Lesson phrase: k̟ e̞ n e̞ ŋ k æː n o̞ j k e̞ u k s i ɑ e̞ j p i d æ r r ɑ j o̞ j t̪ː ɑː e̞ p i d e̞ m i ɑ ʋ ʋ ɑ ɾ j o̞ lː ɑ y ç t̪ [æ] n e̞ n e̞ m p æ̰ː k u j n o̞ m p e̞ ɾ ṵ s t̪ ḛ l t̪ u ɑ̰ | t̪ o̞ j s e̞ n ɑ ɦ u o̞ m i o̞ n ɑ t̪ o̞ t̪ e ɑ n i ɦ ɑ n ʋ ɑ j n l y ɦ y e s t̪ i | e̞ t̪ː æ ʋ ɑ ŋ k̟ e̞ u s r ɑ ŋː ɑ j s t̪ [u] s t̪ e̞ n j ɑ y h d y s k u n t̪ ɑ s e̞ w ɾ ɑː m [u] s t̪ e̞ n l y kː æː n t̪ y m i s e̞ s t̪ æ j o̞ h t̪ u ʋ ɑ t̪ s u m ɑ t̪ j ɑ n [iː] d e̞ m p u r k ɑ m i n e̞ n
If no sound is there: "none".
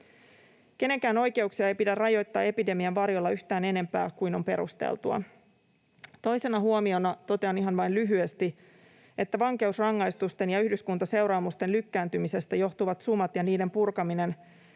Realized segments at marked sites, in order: æː, u, u, iː

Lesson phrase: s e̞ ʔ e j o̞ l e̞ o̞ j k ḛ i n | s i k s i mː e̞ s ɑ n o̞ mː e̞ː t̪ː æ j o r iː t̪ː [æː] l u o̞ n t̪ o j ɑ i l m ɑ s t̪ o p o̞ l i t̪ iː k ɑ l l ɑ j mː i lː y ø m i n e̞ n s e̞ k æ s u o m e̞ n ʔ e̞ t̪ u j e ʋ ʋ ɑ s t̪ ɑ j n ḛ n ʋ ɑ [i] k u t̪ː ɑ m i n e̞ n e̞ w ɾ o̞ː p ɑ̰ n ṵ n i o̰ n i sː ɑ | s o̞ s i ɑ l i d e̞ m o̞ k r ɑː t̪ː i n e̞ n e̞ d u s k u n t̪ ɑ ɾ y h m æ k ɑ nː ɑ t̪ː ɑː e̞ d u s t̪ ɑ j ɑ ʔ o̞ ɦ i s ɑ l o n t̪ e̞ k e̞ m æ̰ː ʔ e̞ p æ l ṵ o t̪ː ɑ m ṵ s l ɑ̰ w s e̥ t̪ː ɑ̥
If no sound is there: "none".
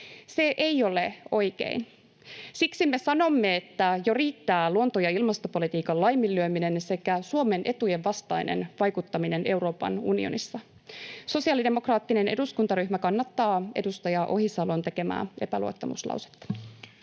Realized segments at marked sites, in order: æː, j

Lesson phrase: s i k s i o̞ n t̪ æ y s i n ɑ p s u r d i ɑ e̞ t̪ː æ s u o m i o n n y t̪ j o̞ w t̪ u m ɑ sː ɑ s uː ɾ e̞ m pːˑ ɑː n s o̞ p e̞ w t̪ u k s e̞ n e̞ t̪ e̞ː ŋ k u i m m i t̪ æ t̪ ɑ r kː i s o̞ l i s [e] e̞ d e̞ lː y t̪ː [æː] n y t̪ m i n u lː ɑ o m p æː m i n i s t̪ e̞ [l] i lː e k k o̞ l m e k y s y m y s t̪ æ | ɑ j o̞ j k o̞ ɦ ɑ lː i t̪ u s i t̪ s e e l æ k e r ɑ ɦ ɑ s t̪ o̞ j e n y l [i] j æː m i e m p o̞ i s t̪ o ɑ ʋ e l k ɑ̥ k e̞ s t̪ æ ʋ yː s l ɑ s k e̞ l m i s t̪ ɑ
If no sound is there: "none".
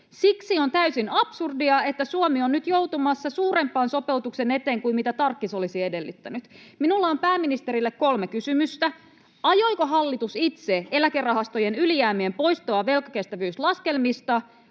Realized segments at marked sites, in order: i, æ, ɾ, i

